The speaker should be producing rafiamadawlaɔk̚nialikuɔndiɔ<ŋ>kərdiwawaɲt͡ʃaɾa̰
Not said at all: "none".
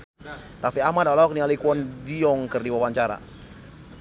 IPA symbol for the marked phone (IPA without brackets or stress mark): ŋ